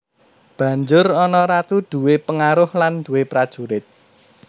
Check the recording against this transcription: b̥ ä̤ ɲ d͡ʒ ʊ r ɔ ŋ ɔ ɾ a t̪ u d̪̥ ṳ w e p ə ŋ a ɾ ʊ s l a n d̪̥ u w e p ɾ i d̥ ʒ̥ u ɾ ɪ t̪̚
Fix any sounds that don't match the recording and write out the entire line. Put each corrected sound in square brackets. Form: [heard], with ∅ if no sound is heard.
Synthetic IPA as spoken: b̥ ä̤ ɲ d͡ʒ ʊ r ɔ [n] ɔ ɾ a t̪ u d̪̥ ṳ w e p ə ŋ a ɾ ʊ [h] l a n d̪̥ u w e p ɾ [a] d̥ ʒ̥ u ɾ ɪ t̪̚